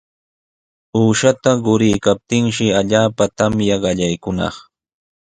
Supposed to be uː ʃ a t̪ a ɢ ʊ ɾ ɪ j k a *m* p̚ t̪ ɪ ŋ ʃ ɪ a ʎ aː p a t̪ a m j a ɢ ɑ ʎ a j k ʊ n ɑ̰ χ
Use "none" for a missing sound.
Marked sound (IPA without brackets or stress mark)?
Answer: none